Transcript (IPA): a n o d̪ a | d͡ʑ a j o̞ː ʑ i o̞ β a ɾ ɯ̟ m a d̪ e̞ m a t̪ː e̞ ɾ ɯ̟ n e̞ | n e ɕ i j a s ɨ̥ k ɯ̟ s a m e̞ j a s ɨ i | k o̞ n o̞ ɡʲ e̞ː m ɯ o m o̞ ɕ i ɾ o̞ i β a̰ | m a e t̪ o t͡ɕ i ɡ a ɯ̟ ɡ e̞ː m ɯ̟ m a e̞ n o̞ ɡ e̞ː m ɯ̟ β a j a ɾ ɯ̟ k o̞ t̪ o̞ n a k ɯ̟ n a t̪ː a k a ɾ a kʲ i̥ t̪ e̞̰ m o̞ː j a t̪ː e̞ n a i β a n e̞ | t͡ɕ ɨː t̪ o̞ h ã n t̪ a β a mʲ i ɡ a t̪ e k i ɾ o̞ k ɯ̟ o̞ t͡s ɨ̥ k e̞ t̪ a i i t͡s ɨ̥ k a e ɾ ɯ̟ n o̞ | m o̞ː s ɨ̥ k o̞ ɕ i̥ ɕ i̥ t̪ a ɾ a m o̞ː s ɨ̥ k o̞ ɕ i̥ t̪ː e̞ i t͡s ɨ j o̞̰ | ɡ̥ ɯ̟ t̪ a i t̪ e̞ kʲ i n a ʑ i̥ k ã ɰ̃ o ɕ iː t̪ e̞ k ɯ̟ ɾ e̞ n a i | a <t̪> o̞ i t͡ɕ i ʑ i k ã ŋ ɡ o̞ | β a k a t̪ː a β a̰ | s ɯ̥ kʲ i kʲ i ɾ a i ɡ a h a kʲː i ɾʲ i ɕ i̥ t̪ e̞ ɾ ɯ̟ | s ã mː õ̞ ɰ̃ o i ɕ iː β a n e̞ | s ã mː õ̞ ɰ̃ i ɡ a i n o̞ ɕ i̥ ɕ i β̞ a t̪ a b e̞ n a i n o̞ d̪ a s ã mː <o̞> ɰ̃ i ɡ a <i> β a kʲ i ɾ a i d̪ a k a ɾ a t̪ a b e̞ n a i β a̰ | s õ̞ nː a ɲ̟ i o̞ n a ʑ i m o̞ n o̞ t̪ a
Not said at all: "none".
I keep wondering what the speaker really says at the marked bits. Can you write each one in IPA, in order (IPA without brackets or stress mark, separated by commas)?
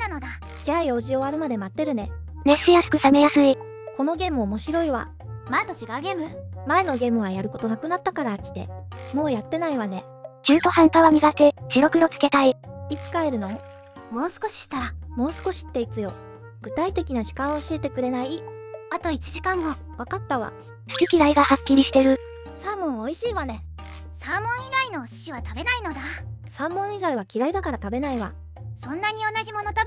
t̪, õ̞, i